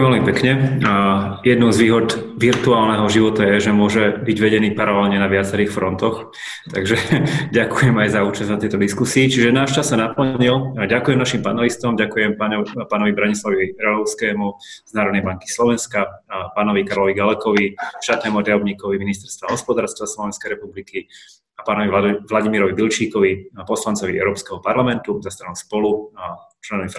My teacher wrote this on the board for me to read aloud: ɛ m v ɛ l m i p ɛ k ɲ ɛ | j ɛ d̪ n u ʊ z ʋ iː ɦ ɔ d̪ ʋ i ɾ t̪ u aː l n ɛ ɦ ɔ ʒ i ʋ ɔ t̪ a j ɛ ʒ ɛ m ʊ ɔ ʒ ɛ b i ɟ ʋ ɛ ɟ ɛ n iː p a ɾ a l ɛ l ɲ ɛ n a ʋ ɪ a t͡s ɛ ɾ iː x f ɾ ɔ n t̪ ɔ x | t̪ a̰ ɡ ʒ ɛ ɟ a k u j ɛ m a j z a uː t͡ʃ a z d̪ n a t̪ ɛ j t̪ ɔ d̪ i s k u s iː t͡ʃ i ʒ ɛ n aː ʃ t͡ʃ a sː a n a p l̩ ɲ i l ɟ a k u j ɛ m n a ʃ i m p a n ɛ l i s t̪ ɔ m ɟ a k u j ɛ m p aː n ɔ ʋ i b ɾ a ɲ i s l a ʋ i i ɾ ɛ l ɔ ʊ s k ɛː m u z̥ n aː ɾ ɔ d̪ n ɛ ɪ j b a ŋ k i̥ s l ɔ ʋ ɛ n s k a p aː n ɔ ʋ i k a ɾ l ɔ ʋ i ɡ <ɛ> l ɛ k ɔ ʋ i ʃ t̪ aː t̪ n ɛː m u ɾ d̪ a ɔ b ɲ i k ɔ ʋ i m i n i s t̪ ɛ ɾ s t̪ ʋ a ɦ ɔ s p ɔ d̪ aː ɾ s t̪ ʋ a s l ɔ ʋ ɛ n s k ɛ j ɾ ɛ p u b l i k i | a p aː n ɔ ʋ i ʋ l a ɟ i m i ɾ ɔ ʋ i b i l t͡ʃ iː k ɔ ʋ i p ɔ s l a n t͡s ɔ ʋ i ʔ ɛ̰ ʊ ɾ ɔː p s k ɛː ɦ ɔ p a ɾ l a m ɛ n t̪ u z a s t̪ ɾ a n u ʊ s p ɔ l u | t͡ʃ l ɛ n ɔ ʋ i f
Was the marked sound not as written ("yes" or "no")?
yes